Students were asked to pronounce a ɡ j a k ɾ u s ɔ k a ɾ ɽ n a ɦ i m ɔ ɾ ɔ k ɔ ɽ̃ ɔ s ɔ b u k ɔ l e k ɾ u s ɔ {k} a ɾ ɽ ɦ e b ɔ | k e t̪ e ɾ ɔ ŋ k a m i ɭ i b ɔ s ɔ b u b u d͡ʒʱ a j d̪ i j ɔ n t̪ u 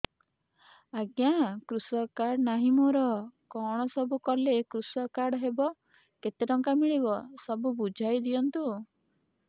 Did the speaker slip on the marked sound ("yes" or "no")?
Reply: no